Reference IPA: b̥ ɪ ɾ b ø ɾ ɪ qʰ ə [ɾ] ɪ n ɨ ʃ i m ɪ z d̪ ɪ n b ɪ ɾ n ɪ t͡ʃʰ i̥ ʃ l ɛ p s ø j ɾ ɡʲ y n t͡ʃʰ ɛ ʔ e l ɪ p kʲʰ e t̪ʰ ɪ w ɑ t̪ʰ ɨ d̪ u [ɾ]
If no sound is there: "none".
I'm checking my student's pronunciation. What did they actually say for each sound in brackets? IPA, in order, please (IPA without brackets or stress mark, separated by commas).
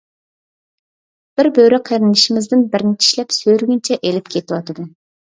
ɾ, none